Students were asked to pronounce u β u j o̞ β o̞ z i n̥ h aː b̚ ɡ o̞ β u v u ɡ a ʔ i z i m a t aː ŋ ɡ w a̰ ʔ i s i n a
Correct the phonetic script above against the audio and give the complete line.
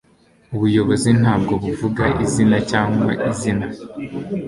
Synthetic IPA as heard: u β u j o̞ β o̞ z i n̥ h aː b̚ ɡ o̞ β u v u ɡ a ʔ i z i n a c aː ŋ ɡ w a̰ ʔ i z i n a